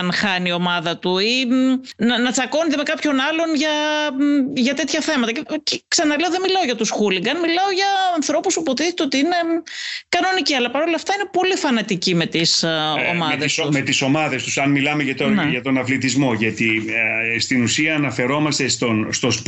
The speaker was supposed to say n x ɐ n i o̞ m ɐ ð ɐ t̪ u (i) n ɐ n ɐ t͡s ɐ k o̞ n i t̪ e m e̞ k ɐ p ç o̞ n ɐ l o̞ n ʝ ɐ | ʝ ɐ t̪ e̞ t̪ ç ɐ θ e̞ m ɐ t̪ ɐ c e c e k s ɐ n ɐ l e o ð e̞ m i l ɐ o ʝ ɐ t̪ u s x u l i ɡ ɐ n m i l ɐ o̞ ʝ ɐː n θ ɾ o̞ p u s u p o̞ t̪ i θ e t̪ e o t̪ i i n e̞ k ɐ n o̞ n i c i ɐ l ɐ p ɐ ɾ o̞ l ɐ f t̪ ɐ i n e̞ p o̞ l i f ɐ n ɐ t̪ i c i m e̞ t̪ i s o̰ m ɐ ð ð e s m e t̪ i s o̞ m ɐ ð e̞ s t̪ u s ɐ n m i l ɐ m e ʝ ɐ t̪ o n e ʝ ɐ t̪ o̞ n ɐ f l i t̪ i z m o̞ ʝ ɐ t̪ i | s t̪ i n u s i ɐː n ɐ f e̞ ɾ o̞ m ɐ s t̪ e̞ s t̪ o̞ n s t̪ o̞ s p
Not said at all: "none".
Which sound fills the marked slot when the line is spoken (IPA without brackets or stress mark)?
i